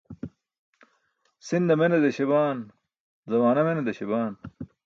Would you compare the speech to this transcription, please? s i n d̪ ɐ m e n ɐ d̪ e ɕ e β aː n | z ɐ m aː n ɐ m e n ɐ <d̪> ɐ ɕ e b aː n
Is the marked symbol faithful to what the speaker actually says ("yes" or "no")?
yes